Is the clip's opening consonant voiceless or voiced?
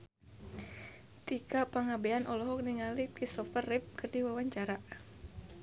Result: voiceless